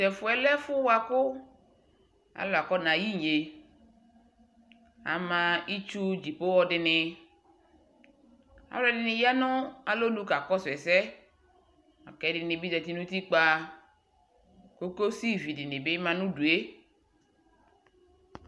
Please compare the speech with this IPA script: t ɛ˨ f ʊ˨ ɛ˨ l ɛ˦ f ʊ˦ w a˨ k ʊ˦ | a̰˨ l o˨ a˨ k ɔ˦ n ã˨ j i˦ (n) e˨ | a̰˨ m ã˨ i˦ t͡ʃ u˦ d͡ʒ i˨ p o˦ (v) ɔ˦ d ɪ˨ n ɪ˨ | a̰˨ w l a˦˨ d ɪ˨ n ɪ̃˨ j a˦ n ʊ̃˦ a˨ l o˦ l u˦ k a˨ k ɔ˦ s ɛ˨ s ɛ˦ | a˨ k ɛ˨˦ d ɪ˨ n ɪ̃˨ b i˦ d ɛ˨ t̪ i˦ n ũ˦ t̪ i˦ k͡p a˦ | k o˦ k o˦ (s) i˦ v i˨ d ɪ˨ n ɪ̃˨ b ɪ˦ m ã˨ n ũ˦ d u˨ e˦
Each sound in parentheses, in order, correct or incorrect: incorrect: ɲ, incorrect: w, correct

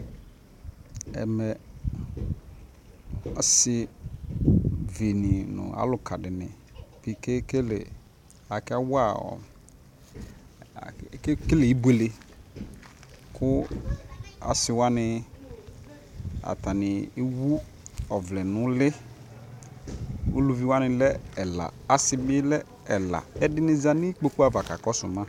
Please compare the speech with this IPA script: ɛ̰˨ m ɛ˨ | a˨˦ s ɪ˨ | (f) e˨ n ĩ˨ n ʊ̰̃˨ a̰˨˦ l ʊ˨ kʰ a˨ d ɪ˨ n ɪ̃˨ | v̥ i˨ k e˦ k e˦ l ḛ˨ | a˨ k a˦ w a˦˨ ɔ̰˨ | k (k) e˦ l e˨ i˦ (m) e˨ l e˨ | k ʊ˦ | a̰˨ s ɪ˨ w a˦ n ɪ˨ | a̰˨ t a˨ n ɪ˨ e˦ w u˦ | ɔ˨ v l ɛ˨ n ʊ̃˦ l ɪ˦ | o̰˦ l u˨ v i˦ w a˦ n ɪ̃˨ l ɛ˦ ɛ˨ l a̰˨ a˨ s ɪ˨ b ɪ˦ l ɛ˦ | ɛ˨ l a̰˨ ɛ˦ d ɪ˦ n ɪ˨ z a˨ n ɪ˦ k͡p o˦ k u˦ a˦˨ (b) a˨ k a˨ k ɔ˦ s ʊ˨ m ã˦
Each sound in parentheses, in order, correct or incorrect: incorrect: v, correct, incorrect: b, incorrect: v

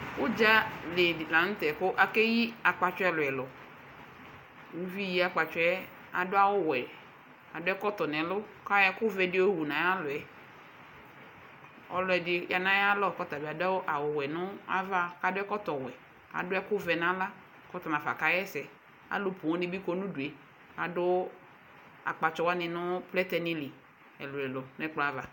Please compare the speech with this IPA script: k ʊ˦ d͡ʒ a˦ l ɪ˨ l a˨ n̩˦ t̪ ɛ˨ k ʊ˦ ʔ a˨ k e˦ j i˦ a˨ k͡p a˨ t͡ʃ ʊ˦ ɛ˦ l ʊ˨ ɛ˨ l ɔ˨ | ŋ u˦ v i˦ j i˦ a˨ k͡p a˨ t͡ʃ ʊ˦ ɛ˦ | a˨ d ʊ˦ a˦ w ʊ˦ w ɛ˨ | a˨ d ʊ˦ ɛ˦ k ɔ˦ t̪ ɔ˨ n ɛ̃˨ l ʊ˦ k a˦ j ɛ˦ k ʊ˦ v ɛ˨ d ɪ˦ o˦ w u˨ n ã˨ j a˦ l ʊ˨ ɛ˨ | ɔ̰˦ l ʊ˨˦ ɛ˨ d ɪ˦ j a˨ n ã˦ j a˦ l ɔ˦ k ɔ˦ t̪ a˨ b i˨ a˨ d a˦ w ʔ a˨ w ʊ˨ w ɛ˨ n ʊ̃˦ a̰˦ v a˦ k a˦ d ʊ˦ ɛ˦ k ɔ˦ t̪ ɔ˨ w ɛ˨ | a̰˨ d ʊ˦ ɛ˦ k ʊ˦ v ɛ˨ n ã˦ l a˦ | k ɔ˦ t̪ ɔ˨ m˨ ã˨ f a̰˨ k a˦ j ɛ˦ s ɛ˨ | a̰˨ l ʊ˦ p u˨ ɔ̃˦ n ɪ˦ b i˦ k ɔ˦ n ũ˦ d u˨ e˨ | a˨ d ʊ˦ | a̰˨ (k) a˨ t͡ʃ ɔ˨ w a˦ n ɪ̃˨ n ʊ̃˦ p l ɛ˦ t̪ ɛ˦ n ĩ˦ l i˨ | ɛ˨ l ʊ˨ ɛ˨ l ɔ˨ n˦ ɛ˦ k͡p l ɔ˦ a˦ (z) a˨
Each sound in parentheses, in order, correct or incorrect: incorrect: k͡p, incorrect: v

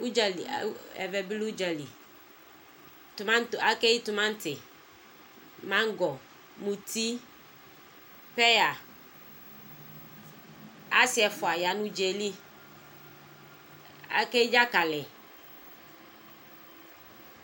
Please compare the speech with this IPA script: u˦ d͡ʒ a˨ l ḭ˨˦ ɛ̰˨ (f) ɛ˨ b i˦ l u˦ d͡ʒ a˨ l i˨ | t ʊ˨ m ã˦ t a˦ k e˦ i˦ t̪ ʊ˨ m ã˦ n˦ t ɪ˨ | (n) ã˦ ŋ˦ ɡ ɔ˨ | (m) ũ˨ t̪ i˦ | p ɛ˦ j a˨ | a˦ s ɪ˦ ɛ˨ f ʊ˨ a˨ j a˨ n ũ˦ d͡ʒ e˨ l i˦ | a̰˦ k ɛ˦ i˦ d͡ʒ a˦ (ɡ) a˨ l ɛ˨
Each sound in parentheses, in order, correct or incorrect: incorrect: v, incorrect: m, correct, incorrect: k

